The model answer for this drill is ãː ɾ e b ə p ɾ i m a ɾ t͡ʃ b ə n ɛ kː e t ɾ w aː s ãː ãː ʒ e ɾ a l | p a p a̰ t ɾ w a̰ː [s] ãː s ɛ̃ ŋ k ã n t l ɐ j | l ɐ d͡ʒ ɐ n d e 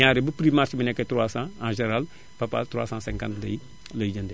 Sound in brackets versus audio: correct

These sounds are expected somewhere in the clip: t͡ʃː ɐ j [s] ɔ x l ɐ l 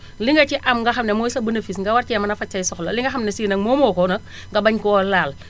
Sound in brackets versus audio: correct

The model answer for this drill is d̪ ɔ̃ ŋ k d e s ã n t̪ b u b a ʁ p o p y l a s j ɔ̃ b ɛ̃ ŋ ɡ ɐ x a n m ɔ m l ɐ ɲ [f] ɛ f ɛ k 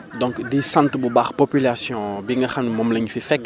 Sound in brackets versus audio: correct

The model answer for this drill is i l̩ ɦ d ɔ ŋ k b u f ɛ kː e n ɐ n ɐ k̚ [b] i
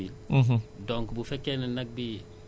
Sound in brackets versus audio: correct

